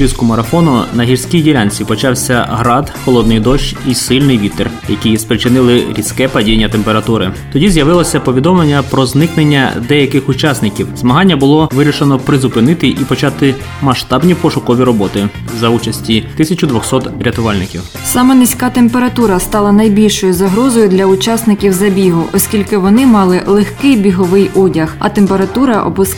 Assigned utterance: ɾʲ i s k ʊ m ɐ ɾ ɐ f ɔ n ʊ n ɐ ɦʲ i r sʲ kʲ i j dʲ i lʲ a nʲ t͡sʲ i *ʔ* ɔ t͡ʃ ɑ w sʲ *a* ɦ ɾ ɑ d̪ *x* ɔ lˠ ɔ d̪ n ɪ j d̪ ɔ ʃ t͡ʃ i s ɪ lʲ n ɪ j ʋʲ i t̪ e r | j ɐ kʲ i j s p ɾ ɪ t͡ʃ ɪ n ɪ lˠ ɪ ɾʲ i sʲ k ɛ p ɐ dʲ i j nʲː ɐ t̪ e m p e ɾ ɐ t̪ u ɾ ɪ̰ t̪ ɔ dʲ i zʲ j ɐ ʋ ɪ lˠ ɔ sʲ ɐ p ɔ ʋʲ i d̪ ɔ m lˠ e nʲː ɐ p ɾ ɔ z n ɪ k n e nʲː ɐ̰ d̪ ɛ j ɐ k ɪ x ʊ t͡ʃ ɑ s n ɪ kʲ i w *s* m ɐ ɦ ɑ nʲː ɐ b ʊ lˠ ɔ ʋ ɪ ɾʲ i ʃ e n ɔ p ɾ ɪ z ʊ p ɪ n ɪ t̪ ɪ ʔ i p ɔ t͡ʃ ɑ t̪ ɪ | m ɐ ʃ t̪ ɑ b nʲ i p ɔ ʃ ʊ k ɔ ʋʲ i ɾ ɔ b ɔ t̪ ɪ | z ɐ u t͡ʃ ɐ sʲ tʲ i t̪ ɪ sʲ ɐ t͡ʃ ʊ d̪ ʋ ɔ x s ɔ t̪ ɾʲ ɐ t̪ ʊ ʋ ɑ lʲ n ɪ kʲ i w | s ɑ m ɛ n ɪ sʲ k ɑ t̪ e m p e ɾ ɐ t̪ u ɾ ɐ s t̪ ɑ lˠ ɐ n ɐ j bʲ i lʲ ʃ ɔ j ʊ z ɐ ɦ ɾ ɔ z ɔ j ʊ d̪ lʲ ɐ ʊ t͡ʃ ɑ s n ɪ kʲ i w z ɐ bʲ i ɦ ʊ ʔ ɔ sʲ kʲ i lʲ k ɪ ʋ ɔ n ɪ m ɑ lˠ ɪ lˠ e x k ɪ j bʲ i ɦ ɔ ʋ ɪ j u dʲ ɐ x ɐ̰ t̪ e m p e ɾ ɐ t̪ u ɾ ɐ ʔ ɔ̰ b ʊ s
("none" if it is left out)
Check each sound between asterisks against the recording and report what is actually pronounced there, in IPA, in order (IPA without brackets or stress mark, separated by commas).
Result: p, ɐ, x, z